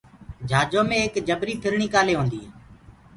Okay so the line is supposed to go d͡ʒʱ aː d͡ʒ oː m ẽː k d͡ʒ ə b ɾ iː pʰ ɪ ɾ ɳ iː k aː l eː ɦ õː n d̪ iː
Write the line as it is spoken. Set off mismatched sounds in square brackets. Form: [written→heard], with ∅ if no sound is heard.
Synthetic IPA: d͡ʒʱ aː d͡ʒ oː m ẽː k d͡ʒ ə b ɾ iː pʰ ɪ ɾ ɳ iː k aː l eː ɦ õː n d̪ iː